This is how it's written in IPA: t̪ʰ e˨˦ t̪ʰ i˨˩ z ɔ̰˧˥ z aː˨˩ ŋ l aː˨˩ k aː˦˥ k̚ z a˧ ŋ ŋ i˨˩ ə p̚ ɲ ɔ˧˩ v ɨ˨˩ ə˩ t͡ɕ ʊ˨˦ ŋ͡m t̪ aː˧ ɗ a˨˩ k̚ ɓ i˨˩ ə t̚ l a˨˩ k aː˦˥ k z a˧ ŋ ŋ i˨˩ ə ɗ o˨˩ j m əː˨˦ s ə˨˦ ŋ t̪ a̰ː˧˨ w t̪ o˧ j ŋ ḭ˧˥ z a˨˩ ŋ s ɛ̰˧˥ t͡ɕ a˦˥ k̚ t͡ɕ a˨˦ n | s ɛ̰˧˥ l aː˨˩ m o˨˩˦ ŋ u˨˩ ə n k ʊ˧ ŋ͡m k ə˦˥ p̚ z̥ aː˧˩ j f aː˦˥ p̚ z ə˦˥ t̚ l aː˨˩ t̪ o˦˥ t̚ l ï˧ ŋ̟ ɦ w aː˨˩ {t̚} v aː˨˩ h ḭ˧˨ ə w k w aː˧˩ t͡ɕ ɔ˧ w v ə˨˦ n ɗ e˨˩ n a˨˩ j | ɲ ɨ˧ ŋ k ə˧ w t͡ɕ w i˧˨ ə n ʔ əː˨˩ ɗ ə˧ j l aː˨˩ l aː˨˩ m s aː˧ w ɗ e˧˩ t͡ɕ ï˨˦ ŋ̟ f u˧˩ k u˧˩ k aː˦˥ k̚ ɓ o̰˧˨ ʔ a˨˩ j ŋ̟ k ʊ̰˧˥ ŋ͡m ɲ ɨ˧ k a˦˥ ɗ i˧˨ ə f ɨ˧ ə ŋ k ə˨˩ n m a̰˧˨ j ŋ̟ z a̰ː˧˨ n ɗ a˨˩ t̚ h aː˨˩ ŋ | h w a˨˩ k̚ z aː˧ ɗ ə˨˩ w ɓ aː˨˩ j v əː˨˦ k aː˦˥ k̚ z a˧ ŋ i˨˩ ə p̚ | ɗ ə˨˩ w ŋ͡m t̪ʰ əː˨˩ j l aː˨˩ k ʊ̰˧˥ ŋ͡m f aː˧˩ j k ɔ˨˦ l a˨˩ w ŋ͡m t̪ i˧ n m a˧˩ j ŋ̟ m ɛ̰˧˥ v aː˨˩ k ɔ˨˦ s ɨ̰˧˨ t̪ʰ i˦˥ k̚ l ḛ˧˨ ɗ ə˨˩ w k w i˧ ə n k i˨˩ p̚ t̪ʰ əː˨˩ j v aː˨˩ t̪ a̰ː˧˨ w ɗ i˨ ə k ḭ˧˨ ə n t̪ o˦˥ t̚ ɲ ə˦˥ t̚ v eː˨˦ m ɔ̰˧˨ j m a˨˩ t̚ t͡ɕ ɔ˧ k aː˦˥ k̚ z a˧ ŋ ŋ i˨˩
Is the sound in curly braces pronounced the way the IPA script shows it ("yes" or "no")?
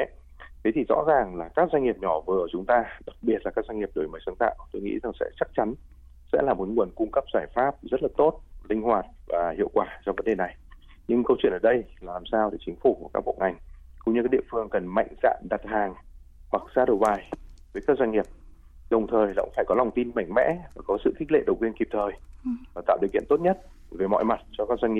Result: yes